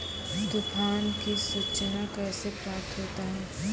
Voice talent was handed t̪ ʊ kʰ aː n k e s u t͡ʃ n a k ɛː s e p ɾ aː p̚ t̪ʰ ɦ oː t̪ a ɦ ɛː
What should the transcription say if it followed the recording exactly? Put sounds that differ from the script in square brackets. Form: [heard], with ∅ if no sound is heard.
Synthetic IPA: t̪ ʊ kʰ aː n k [i] s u t͡ʃ n a k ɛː s e p ɾ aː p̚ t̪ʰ ɦ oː t̪ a ɦ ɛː